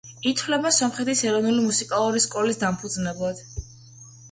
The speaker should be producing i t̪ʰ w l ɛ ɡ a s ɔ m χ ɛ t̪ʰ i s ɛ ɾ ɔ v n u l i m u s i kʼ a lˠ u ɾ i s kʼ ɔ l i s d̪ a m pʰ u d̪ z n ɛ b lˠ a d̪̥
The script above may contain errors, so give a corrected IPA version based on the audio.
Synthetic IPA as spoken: i t̪ʰ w l ɛ b a s ɔ m χ ɛ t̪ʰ i s ɛ ɾ ɔ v n u l i m u s i kʼ a lˠ u ɾ i s kʼ ɔ l i s d̪ a m pʰ u d̪ z n ɛ b lˠ a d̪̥